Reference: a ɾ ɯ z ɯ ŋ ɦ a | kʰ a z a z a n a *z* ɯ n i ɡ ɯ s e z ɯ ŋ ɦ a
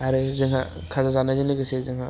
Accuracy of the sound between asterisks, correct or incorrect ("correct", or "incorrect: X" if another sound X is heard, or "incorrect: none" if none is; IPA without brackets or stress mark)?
correct